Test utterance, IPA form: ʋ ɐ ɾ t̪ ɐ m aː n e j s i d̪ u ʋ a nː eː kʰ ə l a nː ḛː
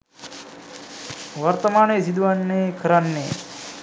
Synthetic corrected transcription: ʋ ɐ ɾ t̪ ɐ m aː n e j s i d̪ u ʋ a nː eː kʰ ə ɾ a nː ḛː